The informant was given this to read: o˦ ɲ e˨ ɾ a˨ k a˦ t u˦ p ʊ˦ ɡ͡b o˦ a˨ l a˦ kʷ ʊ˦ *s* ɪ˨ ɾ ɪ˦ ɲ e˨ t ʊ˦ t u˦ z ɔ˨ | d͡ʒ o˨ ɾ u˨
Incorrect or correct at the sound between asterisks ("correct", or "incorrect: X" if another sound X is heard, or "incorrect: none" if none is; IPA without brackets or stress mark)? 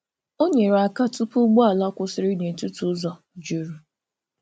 correct